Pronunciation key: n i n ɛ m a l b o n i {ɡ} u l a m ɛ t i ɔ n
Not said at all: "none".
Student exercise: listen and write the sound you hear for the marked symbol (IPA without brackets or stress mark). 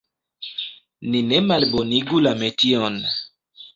ɡ